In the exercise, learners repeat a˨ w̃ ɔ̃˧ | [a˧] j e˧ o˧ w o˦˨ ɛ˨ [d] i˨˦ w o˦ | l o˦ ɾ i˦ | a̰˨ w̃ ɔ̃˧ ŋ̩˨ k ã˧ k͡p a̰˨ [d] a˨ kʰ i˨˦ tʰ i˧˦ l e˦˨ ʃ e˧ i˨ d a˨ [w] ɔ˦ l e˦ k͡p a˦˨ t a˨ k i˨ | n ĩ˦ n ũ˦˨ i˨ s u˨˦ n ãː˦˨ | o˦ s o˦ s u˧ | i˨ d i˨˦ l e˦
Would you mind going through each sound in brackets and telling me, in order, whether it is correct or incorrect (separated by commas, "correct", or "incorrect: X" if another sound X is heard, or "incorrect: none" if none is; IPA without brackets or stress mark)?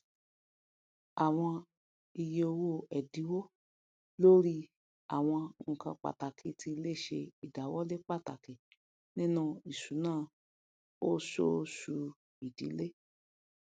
incorrect: i˧, correct, incorrect: t, correct